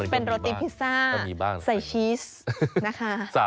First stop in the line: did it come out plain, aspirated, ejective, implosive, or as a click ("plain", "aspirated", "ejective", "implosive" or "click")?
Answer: plain